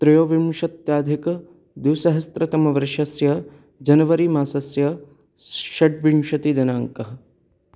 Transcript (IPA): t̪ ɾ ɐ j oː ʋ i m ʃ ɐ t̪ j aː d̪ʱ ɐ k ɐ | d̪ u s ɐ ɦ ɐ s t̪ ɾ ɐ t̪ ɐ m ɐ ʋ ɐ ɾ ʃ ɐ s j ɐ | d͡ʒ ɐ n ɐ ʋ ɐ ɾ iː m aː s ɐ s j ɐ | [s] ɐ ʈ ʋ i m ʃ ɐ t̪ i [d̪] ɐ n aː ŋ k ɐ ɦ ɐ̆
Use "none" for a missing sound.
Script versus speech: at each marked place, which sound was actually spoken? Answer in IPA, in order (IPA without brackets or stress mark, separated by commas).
ʃ, d̪